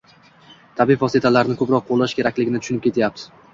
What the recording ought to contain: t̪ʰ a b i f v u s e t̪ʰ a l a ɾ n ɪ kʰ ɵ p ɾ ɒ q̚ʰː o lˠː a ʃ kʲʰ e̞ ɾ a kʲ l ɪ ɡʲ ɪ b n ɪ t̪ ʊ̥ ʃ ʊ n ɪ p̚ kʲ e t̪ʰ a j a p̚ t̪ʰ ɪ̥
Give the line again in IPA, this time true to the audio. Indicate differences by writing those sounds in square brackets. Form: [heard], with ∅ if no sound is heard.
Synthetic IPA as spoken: t̪ʰ a b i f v [ɒ] s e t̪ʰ a l a ɾ n ɪ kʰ ɵ p ɾ ɒ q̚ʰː o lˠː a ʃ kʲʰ e̞ ɾ a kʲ l ɪ ɡʲ ɪ [∅] n ɪ t̪ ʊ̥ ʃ ʊ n ɪ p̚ kʲ e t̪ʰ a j a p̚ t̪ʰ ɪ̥